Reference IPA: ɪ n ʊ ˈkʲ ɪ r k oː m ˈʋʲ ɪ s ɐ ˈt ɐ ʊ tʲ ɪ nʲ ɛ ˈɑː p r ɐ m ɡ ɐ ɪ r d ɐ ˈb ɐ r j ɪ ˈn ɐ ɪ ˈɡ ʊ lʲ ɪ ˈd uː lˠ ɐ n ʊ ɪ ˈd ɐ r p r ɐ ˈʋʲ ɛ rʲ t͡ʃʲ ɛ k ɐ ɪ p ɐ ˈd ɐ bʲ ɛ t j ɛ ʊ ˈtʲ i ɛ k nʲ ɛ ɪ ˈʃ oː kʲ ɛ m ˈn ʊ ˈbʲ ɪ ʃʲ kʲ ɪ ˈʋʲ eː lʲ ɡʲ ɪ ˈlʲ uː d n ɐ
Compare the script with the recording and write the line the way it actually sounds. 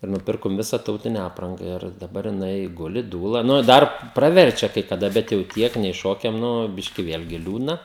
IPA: ɪ n ʊ ˈpʲ ɪ r k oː m ˈʋʲ ɪ s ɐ ˈt ɐ ʊ tʲ ɪ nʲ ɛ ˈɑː p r ɐ ŋ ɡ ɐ ɪ r d ɐ ˈb ɐ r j ɪ ˈn ɐ ɪ ˈɡ ʊ lʲ ɪ ˈd uː lˠ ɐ n ʊ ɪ ˈd ɐ r p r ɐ ˈʋʲ ɛ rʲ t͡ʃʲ ɛ k ɐ ɪ k ɐ ˈd ɐ bʲ ɛ t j ɛ ʊ ˈtʲ i ɛ k nʲ ɛ ɪ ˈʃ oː kʲ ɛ m ˈn ʊ ˈbʲ ɪ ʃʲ kʲ ɪ ˈʋʲ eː lʲ ɡʲ ɪ ˈlʲ uː d n ɐ